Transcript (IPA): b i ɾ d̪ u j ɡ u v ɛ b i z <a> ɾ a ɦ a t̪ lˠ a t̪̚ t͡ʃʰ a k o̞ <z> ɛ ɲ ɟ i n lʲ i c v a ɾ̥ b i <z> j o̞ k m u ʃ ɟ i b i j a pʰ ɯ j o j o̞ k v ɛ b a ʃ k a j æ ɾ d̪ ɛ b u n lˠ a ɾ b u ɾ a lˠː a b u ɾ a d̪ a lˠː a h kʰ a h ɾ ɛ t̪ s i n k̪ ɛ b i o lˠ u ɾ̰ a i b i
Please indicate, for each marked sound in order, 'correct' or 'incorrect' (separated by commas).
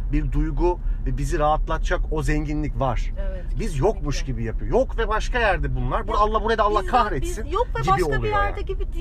incorrect, correct, correct